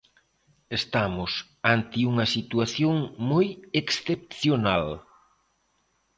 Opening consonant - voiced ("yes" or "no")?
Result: no